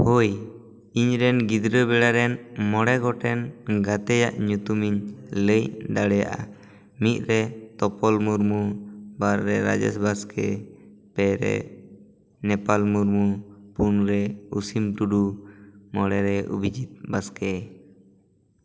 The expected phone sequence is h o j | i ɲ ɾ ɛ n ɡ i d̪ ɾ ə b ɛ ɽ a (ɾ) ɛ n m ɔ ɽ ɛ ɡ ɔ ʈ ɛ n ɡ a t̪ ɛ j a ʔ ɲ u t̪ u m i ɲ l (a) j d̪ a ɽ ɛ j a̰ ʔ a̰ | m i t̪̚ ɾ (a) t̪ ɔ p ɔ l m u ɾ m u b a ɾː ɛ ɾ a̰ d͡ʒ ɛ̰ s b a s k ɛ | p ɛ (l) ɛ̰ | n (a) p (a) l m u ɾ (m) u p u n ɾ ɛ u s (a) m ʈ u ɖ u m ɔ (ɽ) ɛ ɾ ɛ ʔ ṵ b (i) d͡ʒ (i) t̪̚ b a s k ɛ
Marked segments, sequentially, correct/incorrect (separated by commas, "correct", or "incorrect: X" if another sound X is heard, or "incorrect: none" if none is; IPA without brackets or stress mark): correct, incorrect: ə, incorrect: ɛ, incorrect: ɾ, incorrect: ɛ, correct, correct, incorrect: i, correct, correct, correct